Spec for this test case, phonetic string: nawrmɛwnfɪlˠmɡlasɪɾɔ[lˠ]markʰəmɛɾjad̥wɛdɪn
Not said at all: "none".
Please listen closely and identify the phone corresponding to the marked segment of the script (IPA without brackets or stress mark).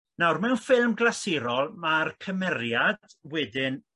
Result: lˠ